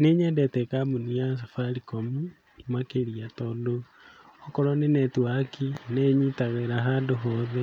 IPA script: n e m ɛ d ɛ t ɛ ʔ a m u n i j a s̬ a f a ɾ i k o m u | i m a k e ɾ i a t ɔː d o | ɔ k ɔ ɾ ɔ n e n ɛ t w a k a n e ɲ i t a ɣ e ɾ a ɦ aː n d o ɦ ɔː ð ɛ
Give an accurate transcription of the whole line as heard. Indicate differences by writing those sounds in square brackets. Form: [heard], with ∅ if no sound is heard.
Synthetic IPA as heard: n e [ɲ] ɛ d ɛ t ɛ [k] a m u n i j a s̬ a f a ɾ i k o m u | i m a k e ɾ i a t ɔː d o | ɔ k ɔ ɾ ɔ n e n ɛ t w a k [i] n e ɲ i t a ɣ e ɾ a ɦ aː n d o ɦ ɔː ð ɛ